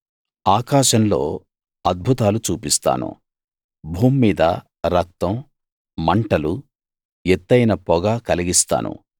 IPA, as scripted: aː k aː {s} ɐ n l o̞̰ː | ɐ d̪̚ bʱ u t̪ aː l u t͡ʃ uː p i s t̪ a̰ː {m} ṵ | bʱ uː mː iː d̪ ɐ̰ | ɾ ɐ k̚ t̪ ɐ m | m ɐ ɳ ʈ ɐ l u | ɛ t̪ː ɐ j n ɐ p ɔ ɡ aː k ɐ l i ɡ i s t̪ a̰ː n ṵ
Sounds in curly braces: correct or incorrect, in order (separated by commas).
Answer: incorrect, incorrect